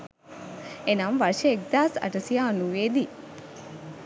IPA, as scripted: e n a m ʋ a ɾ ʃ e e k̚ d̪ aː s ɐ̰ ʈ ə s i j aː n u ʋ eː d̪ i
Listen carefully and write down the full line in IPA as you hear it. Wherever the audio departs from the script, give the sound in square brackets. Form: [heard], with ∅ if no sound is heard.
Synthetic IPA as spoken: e n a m ʋ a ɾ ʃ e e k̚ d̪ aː s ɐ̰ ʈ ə s i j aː n u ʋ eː d̪ i

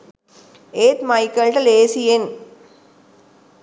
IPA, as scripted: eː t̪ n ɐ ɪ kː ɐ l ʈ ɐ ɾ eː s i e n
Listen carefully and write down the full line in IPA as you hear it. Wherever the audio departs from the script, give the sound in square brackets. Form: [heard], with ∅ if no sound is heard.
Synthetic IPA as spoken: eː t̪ [m] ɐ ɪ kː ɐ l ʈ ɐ [l] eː s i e n

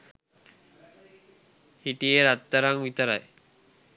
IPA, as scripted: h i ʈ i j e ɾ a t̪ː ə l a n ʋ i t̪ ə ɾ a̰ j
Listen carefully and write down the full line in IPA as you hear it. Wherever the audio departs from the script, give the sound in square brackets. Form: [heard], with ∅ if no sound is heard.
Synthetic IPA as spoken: h i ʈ i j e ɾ a t̪ː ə [ɾ] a [ŋ] ʋ i t̪ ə ɾ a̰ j

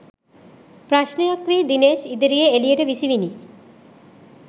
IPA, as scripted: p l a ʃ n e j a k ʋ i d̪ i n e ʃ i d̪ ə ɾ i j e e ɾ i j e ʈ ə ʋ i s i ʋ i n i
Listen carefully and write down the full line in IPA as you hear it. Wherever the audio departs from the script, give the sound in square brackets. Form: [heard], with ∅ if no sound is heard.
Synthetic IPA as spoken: p [ɾ] a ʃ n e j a k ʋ i d̪ i n e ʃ i d̪ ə ɾ i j e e [l] i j e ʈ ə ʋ i s i ʋ i n i

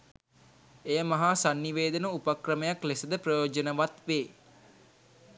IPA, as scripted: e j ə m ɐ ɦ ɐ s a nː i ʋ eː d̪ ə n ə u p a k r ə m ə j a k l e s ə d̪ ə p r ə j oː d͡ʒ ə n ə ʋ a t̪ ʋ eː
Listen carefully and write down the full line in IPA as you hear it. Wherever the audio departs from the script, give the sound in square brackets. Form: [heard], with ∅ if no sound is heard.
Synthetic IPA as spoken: e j ə m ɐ ɦ [a] s a nː i ʋ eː d̪ ə n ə u p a k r ə m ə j a k l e s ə d̪ ə p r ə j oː d͡ʒ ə n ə ʋ a t̪ ʋ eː

